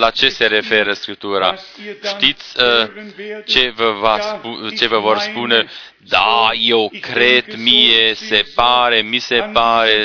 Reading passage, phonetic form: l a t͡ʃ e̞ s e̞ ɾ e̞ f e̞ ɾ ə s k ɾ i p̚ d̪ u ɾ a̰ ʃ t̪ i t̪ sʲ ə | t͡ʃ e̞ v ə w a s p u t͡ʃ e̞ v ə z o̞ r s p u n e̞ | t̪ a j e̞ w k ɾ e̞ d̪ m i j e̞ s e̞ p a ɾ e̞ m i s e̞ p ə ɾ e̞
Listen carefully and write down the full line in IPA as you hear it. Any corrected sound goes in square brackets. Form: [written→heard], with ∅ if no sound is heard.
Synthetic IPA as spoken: l a t͡ʃ e̞ s e̞ ɾ e̞ f e̞ ɾ ə s k ɾ i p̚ [d̪→t̪] u ɾ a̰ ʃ t̪ i t̪ sʲ ə | t͡ʃ e̞ v ə [w→v] a s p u t͡ʃ e̞ v ə [z→v] o̞ r s p u n e̞ | [t̪→d̪] a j e̞ w k ɾ e̞ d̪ m i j e̞ s e̞ p a ɾ e̞ m i s e̞ p [ə→a] ɾ e̞